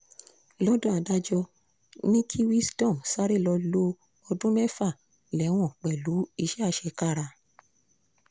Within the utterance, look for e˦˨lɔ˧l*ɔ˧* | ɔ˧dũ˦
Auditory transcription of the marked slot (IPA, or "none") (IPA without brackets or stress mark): o˧